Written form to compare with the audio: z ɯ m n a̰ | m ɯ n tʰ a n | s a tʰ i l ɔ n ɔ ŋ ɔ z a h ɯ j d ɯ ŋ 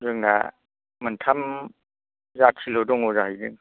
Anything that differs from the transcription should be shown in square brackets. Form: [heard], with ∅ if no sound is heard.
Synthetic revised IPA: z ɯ [ŋ] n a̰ | m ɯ n tʰ a [m] | [z] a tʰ i l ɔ [d] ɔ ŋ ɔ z a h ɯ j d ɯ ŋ